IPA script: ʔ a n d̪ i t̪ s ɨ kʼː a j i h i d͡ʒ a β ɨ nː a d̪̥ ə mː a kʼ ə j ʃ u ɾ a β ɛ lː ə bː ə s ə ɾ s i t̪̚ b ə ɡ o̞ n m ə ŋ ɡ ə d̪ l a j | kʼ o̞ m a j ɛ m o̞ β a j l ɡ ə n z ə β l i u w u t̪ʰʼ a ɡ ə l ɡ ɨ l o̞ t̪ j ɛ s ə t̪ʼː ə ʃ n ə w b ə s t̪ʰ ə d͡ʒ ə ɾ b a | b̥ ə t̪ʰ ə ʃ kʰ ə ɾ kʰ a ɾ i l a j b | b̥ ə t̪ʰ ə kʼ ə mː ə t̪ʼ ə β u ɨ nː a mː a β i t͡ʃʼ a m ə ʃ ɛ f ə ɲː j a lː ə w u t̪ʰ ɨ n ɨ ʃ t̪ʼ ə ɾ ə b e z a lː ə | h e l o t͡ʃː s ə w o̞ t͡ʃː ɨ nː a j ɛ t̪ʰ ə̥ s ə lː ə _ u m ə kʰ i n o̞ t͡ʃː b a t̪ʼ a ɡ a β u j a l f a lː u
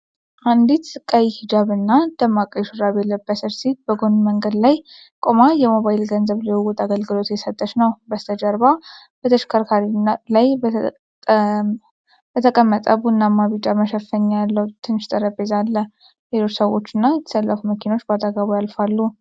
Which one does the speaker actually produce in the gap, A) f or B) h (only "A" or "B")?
A